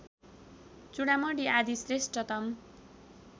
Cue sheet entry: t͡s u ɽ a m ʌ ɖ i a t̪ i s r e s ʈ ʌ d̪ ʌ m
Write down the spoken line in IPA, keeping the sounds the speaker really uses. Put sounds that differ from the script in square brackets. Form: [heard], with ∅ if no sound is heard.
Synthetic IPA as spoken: t͡s u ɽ a m ʌ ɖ i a [d̪] i s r e s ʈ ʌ [t̪] ʌ m